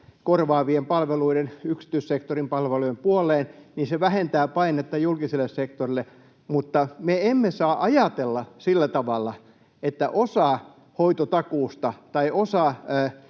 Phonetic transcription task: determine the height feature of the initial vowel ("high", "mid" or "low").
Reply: mid